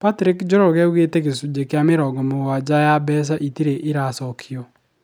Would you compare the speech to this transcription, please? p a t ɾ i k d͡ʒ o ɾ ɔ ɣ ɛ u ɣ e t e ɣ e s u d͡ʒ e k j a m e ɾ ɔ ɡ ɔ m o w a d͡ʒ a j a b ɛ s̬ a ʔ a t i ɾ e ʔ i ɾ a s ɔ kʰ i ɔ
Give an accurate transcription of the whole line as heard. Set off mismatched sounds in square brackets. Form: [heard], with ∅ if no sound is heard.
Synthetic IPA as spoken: p a t ɾ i k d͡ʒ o ɾ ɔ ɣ ɛ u ɣ e t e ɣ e s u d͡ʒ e k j a m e ɾ ɔ ɡ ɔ m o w a d͡ʒ a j a b ɛ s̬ a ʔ [i] t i ɾ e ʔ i ɾ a s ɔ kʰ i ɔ